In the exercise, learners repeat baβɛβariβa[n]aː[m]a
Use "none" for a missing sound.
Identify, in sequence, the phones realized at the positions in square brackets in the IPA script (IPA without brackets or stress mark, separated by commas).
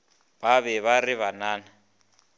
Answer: n, n